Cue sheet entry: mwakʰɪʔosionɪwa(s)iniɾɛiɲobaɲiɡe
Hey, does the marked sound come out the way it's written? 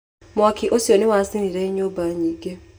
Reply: yes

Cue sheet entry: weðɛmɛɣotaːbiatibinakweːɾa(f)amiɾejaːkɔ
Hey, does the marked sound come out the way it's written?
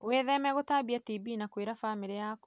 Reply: yes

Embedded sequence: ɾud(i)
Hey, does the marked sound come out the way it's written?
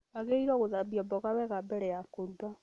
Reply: no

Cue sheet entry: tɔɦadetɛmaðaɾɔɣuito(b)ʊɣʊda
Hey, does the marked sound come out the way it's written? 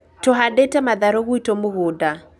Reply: no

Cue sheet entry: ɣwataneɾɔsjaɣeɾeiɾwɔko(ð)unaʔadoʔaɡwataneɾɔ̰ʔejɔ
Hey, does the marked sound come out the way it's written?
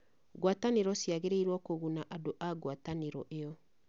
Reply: no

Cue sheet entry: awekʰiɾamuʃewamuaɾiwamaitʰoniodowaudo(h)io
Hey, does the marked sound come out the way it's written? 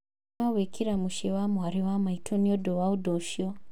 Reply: no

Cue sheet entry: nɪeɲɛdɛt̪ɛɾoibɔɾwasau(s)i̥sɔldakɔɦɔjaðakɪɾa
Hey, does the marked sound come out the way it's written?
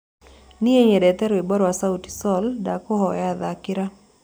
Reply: no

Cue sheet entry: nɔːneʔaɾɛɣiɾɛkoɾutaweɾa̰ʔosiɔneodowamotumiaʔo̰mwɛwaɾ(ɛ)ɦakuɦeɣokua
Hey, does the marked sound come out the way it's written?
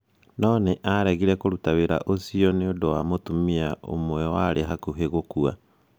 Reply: no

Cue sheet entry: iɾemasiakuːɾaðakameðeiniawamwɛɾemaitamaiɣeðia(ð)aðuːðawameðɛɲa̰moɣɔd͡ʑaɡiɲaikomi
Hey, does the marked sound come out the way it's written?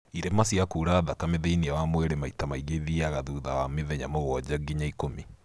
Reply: no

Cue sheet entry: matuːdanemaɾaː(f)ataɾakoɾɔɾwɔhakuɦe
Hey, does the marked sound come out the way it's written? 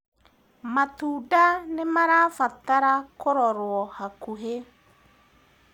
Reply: yes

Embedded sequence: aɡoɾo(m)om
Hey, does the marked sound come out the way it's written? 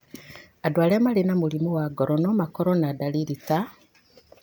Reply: no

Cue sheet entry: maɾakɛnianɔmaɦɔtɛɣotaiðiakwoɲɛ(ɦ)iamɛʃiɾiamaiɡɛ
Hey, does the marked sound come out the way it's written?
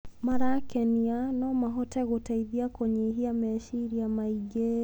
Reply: yes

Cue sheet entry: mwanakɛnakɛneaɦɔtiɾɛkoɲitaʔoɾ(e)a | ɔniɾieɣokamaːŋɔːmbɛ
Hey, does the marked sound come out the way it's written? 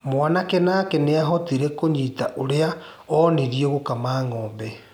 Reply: yes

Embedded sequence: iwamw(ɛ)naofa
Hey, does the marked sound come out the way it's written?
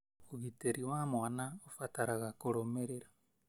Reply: no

